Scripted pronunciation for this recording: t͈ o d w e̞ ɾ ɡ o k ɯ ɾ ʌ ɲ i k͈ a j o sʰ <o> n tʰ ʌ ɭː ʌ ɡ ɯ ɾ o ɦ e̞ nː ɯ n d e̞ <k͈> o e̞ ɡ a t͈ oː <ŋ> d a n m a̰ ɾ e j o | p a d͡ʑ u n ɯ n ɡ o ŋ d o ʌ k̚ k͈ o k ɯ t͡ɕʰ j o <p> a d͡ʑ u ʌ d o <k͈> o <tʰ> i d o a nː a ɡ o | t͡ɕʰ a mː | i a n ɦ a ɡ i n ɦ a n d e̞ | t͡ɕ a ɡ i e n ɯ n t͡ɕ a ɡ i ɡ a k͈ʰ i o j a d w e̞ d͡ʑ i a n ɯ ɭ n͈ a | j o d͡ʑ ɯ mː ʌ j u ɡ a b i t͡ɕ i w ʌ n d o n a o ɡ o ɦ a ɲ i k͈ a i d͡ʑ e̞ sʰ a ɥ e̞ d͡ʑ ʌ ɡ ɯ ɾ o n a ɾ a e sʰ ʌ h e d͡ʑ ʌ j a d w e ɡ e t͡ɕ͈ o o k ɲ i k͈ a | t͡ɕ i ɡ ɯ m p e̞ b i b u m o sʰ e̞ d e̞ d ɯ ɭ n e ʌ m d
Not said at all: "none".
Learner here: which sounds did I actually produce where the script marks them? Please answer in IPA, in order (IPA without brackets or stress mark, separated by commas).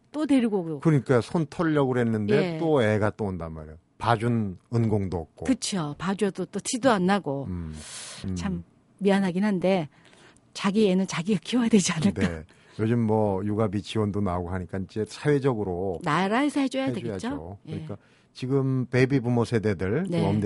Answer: o, t͈, n, p, t͈, tʰ